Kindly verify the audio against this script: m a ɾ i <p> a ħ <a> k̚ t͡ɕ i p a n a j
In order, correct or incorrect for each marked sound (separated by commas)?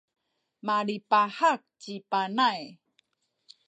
correct, correct